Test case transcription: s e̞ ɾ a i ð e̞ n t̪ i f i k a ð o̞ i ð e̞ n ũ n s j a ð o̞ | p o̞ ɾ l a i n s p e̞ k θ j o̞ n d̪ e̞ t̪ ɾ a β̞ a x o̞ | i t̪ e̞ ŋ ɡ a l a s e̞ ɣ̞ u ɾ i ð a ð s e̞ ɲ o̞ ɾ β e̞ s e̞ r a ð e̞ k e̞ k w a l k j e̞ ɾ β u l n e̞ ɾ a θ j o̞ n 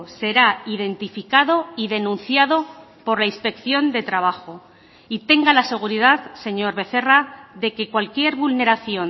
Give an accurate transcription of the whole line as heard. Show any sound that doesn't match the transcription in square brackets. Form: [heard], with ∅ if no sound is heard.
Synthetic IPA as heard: s e̞ ɾ a i ð e̞ n t̪ i f i k a ð o̞ i ð e̞ n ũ n [θ] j a ð o̞ | p o̞ ɾ l a i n s p e̞ k θ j o̞ n d̪ e̞ t̪ ɾ a β̞ a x o̞ | i t̪ e̞ ŋ ɡ a l a s e̞ ɣ̞ u ɾ i ð a ð s e̞ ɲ o̞ ɾ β e̞ [θ] e̞ r a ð e̞ k e̞ k w a l k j e̞ ɾ β u l n e̞ ɾ a θ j o̞ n

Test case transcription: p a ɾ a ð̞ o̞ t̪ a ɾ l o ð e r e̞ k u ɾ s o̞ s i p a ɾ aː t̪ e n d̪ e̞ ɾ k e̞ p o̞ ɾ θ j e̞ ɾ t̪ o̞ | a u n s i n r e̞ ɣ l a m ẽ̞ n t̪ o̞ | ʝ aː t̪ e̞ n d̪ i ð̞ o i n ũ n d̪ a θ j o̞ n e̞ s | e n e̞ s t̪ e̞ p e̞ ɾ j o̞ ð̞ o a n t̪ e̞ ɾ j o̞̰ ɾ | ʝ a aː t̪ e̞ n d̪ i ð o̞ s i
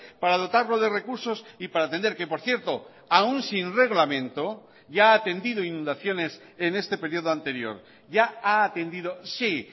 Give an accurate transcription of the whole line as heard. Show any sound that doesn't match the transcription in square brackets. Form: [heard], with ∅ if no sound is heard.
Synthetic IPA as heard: p a ɾ a ð̞ o̞ t̪ a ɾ l o ð e r e̞ k u ɾ s o̞ s i p a ɾ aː t̪ e n d̪ e̞ ɾ k e̞ p o̞ ɾ θ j e̞ ɾ t̪ o̞ | a u n s i n r e̞ ɣ l a m ẽ̞ n t̪ o̞ | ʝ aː t̪ e̞ n d̪ i ð̞ o i n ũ n d̪ a θ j o̞ n e̞ s | e n e̞ s t̪ e̞ p e̞ ɾ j o̞ ð̞ o a n t̪ e̞ ɾ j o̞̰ ɾ | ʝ a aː t̪ e̞ n d̪ i ð o̞ s i

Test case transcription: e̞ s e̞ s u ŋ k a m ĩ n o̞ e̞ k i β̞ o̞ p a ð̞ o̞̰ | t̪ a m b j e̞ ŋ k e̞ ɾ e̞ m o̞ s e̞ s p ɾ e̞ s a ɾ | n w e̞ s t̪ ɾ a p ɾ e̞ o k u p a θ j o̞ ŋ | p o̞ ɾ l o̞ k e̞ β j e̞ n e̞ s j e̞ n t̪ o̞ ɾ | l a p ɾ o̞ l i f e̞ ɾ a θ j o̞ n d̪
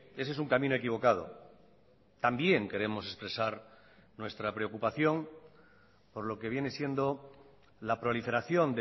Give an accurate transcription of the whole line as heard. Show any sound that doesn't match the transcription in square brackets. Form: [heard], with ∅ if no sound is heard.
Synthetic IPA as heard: e̞ s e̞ s u ŋ k a m ĩ n o̞ e̞ k i β̞ o̞ [k] a ð̞ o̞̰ | t̪ a m b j e̞ ŋ k e̞ ɾ e̞ m o̞ s e̞ s p ɾ e̞ s a ɾ | n w e̞ s t̪ ɾ a p ɾ e̞ o k u p a θ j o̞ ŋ | p o̞ ɾ l o̞ k e̞ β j e̞ n e̞ s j e̞ n [d̪] o̞ [∅] | l a p ɾ o̞ l i f e̞ ɾ a θ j o̞ n d̪

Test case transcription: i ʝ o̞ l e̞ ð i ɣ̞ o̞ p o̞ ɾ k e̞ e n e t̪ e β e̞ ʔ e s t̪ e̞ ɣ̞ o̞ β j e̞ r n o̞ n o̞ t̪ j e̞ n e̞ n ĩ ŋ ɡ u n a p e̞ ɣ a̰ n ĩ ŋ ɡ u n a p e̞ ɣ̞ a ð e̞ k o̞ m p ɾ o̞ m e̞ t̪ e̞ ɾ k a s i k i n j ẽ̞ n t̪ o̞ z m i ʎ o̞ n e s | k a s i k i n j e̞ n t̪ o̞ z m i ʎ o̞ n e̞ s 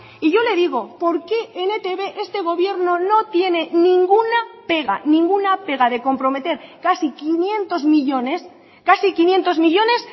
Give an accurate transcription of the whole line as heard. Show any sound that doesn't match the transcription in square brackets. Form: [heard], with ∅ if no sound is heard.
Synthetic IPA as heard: i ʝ o̞ l e̞ ð i ɣ̞ o̞ p o̞ ɾ k e̞ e n e t̪ e β e̞ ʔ e s t̪ e̞ ɣ̞ o̞ β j e̞ [ɾ] n o̞ n o̞ t̪ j e̞ n e̞ n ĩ ŋ ɡ u n a p e̞ ɣ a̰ n ĩ ŋ ɡ u n a p e̞ ɣ̞ a ð e̞ k o̞ m p ɾ o̞ m e̞ t̪ e̞ ɾ k a s i k i n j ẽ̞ n t̪ o̞ z m i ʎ o̞ n e s | k a s i k i n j e̞ n t̪ o̞ z m i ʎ o̞ n e̞ s

